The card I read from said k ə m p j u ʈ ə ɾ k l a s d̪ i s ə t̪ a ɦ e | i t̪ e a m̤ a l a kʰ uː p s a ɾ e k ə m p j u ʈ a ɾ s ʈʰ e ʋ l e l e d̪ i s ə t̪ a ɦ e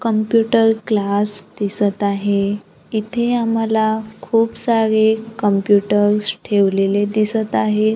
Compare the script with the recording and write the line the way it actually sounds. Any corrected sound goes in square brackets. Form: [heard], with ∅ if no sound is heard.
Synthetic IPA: k ə m p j u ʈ ə ɾ k l a s d̪ i s ə t̪ a ɦ e | i [t̪ʰ] e a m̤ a l a kʰ uː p s a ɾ e k ə m p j u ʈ [ə] ɾ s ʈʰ e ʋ l e l e d̪ i s ə t̪ a ɦ e